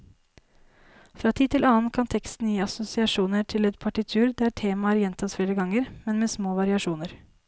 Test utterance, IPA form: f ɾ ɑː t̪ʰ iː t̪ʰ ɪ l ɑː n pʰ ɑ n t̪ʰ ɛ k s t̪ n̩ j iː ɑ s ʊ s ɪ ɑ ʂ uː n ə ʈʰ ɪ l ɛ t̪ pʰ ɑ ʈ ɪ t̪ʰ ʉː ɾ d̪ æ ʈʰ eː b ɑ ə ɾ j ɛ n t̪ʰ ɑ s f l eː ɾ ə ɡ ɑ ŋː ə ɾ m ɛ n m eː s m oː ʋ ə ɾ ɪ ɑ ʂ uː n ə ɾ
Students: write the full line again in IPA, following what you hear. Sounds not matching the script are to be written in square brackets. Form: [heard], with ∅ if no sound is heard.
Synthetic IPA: f ɾ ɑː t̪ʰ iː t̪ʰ ɪ l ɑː n [kʰ] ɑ n t̪ʰ ɛ k s t̪ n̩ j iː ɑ s ʊ s ɪ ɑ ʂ uː n ə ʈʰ ɪ l ɛ t̪ pʰ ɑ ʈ ɪ t̪ʰ ʉː ɾ d̪ æ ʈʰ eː [m] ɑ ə ɾ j ɛ n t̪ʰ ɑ s f l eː ɾ ə ɡ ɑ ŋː ə ɾ m ɛ n m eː s m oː ʋ [ɑ] ɾ ɪ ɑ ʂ uː n ə ɾ